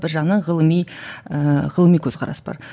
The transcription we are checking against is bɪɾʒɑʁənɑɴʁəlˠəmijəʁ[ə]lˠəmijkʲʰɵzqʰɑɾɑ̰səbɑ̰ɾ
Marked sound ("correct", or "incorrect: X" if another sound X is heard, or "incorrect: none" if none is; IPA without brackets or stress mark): correct